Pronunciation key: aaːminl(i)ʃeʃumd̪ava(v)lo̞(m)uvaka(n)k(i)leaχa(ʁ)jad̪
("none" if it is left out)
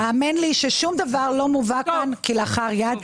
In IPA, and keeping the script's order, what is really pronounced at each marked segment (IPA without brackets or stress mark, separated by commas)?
i, ʁ, m, n, i, ʁ